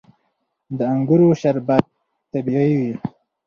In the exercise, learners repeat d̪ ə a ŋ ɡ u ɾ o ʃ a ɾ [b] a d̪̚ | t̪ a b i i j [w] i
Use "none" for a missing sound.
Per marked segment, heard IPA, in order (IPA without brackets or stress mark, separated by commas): b, w